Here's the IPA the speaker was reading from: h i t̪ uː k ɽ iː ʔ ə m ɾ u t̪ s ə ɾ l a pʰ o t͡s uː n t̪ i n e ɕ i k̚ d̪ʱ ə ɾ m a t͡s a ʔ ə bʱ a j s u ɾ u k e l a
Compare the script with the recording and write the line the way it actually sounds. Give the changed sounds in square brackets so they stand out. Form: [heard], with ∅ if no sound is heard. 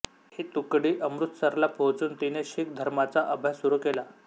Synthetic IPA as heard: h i t̪ [u] k ɽ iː ʔ ə m ɾ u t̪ s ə ɾ l a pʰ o t͡s uː n t̪ i n e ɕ i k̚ d̪ʱ ə ɾ m a t͡s a ʔ ə bʱ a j s u ɾ u k e l a